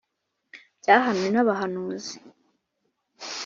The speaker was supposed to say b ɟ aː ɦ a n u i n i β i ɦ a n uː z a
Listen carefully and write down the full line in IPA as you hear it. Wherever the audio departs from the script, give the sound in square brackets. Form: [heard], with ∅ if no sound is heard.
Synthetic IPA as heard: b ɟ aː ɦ a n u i n [a] β [a] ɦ a n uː z [i]